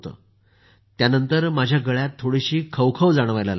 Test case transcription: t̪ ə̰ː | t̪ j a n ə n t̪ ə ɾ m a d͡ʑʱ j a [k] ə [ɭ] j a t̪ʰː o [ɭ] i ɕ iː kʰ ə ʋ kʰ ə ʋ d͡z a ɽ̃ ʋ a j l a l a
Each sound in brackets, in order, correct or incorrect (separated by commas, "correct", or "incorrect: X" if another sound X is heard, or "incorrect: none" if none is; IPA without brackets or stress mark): incorrect: ɡ, correct, incorrect: ɽ